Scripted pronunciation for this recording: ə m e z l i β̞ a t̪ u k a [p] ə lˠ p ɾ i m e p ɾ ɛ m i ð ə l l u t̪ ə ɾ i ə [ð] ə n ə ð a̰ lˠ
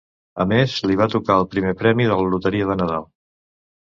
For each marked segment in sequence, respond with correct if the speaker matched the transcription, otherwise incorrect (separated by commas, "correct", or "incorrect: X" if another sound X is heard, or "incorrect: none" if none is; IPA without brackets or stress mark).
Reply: incorrect: none, correct